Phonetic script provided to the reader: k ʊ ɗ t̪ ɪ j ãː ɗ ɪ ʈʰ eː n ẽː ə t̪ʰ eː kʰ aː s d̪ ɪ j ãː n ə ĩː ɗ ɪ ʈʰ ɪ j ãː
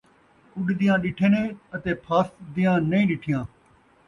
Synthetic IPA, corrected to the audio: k ʊ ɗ d̪ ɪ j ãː ɗ ɪ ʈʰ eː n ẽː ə t̪ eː pʰ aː s d̪ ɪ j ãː n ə ĩː ɗ ɪ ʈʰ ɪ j ãː